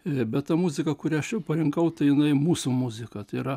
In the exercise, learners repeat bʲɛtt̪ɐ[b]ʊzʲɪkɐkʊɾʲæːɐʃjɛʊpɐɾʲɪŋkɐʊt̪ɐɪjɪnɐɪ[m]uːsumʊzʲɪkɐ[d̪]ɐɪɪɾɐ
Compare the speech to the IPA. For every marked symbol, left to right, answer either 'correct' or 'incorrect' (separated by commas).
incorrect, correct, incorrect